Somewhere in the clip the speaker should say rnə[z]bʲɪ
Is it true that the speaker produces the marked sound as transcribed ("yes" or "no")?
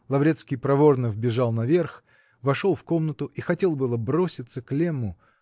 no